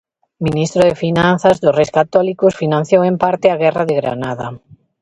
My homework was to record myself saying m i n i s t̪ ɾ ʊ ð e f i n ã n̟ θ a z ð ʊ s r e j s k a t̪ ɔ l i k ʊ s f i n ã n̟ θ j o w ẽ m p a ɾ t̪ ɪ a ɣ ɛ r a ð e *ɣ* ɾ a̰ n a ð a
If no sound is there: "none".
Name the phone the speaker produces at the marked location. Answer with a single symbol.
ɣ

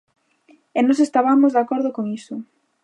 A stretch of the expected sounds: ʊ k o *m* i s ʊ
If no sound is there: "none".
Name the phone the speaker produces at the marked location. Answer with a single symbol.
ŋ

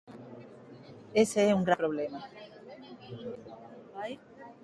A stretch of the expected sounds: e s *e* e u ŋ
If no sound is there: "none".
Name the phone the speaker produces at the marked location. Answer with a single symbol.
e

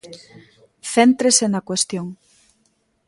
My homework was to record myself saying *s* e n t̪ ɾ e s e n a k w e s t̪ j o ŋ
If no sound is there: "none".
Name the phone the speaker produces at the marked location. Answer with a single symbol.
θ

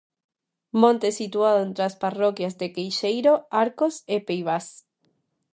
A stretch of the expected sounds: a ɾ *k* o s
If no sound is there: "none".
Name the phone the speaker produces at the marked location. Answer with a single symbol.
k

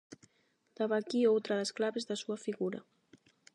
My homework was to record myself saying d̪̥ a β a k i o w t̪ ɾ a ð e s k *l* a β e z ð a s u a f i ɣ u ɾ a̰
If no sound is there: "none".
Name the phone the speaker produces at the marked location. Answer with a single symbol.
l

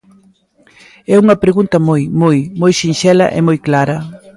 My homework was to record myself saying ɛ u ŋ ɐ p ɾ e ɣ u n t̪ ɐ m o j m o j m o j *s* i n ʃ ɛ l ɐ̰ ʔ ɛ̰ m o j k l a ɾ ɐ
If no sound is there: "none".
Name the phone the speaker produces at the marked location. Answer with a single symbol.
ʃ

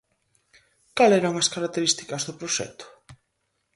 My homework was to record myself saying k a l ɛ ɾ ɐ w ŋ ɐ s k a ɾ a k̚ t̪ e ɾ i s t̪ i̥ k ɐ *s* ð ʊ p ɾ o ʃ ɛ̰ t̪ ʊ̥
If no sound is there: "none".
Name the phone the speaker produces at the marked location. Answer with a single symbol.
z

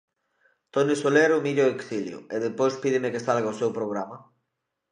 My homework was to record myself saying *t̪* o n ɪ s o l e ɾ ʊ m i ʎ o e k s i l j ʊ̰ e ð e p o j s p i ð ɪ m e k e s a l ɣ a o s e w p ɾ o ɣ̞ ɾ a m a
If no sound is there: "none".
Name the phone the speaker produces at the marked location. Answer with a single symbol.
t̪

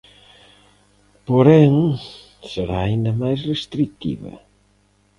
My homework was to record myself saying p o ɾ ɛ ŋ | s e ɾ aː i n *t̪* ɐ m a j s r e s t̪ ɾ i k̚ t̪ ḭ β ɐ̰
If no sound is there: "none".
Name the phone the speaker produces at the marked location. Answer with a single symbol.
d̪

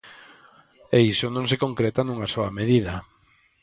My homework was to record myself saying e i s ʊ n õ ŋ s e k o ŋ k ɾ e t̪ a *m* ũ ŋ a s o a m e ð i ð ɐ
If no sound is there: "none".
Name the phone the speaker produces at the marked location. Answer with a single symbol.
n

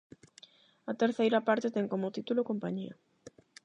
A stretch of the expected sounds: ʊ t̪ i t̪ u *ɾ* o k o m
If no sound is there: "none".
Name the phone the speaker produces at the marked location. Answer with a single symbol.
l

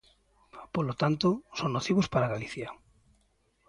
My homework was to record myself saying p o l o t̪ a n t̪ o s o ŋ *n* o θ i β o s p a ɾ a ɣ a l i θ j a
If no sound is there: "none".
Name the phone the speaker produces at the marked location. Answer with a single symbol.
n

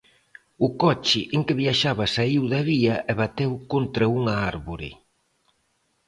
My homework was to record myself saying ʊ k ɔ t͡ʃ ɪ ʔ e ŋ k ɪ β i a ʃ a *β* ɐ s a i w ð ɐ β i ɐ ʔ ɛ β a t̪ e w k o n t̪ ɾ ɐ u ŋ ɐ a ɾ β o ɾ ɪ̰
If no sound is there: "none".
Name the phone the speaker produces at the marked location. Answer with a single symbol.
β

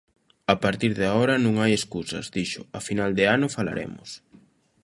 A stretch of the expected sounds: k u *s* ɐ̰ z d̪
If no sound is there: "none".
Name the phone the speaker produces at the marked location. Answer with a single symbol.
s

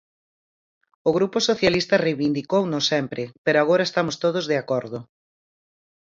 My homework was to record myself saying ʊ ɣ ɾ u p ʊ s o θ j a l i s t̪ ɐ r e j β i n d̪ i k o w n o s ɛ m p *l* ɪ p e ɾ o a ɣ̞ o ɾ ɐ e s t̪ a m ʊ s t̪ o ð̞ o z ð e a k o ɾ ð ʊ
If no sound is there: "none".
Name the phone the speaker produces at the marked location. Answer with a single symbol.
ɾ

